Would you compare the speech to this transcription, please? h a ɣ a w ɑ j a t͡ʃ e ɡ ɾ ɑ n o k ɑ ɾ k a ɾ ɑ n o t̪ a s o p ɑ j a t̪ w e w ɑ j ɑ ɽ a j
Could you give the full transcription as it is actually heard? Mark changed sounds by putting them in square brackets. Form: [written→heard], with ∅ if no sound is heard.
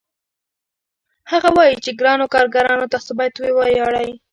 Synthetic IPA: h a ɣ a w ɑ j [a→i] t͡ʃ e ɡ ɾ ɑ n o k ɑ ɾ [k→ɡ] a ɾ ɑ n o t̪ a s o [p→b] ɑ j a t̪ w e w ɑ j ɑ ɽ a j